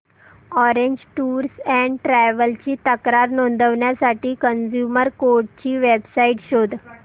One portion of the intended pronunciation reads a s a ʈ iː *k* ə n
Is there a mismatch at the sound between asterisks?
no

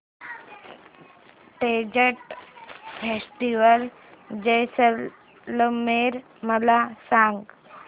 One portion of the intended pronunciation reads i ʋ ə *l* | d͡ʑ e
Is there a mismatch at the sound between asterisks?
no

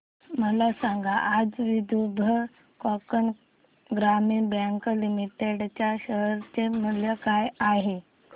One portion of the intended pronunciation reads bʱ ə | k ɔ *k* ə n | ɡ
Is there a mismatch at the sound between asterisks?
no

